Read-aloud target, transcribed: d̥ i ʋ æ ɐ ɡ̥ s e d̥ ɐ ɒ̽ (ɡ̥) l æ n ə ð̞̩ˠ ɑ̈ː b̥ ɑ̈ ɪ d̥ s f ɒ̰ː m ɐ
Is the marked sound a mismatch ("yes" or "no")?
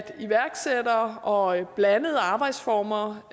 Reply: yes